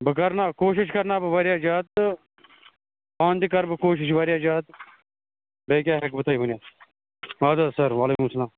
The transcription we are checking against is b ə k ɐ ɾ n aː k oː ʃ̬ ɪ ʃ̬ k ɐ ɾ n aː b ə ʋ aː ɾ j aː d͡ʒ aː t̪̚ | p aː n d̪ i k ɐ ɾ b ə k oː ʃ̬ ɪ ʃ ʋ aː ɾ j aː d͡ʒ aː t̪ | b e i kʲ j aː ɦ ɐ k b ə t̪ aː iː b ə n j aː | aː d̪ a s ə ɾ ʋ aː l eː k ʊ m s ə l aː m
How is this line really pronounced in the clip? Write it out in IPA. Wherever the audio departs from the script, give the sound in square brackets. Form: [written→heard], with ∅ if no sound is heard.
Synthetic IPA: b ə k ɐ ɾ n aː k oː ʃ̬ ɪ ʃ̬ k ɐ ɾ n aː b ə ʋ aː ɾ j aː d͡ʒ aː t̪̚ | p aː n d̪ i k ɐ ɾ b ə k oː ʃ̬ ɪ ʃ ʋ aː ɾ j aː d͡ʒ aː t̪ | b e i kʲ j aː ɦ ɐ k b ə t̪ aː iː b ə n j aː | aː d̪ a s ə ɾ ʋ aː l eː k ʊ m s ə l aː m